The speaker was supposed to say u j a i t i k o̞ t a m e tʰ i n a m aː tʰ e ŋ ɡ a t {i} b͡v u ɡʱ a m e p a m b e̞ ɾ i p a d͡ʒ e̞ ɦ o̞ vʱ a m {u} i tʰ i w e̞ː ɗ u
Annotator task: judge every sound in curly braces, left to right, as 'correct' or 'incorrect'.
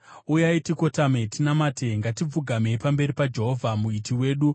correct, correct

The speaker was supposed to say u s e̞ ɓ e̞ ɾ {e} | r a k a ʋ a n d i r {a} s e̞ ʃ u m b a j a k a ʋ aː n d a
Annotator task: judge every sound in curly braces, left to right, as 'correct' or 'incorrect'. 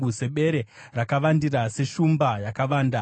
correct, correct

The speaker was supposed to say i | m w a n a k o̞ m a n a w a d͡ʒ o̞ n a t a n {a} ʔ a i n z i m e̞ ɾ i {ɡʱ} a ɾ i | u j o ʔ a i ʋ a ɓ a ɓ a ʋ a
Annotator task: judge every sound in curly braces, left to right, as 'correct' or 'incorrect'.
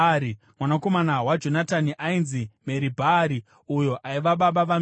incorrect, incorrect

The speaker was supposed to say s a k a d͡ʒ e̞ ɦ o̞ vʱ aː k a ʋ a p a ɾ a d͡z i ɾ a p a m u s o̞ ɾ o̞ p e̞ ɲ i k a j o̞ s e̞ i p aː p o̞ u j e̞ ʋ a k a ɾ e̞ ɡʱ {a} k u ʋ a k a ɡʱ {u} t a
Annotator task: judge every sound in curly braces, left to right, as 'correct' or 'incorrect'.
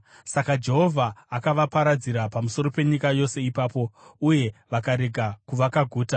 correct, incorrect

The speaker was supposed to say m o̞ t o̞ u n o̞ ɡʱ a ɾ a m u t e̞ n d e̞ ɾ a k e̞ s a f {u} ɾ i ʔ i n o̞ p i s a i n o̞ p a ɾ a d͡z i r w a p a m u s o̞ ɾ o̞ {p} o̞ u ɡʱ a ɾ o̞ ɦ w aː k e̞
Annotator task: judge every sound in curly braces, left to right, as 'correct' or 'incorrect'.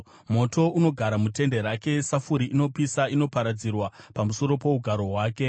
correct, correct

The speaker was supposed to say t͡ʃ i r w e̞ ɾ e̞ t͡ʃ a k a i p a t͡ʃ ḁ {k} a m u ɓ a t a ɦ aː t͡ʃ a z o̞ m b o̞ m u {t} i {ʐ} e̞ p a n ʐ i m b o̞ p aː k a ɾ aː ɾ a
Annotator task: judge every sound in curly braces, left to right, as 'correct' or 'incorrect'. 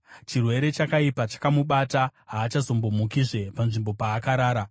correct, incorrect, correct

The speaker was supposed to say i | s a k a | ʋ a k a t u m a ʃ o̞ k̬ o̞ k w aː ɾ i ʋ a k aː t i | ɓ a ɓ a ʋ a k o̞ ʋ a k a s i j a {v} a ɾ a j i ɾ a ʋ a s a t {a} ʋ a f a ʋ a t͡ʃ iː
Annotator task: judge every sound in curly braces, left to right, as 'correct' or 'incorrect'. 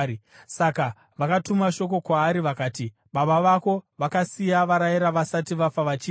incorrect, incorrect

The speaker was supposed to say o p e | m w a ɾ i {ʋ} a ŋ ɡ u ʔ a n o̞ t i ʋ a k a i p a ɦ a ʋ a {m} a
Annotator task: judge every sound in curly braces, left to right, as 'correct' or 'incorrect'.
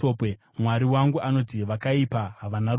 incorrect, incorrect

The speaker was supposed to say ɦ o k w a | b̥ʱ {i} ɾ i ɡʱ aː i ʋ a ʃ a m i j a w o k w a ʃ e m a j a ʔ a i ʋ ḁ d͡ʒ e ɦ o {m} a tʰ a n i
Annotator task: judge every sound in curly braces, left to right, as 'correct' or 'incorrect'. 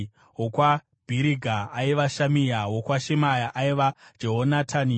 correct, incorrect

